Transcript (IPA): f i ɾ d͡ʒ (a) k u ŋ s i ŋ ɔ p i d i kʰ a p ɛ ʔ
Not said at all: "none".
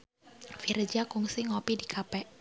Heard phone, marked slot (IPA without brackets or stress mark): a